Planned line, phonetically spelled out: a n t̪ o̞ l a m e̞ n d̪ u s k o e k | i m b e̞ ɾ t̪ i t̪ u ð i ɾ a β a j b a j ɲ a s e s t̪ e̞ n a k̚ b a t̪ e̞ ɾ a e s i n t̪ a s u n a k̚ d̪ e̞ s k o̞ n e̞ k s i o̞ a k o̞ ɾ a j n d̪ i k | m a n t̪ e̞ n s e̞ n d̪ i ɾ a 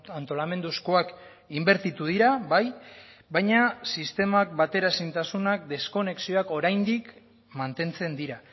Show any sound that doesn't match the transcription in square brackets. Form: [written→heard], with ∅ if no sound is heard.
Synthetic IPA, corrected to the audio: a n t̪ o̞ l a m e̞ n d̪ u s k o [e→a] k | i m b e̞ ɾ t̪ i t̪ u ð i ɾ a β a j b a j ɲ a s [e→i] s t̪ e̞ [n→m] a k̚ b a t̪ e̞ ɾ a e s i n t̪ a s u n a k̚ d̪ e̞ s k o̞ n e̞ k s i o̞ a k o̞ ɾ a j n d̪ i k | m a n t̪ e̞ n [s→t͡s] e̞ n d̪ i ɾ a